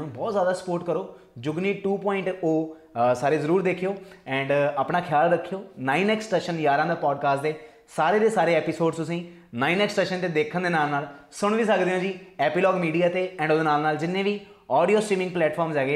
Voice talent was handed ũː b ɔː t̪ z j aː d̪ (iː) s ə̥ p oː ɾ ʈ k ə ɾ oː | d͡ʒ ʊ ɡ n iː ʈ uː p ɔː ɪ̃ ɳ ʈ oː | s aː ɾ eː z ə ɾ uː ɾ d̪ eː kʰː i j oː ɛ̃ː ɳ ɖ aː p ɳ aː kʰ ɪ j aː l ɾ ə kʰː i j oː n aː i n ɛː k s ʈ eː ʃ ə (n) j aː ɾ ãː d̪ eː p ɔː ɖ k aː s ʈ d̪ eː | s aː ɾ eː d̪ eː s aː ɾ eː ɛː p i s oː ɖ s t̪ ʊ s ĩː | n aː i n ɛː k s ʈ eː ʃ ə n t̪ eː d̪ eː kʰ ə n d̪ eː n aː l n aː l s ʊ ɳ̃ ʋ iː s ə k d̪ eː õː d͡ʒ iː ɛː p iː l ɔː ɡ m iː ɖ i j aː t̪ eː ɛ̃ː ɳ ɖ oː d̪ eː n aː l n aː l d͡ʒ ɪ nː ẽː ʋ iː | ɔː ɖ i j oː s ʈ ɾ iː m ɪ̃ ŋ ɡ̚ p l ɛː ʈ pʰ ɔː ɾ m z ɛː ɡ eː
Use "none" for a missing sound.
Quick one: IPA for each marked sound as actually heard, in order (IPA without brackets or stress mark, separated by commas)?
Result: aː, n